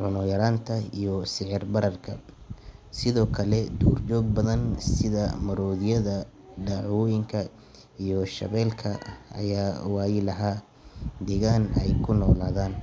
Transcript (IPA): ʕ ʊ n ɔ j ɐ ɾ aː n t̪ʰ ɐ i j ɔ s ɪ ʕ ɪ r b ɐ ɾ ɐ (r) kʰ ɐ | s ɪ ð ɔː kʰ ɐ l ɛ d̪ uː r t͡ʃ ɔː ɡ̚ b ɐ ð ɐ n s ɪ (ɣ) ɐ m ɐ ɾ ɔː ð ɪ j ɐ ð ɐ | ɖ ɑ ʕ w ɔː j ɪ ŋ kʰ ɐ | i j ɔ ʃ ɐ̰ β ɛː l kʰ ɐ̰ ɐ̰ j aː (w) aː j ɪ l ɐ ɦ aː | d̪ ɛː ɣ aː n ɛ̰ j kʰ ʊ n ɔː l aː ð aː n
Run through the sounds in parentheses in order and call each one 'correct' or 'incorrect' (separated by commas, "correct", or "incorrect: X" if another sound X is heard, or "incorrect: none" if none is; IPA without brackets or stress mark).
correct, incorrect: ð, correct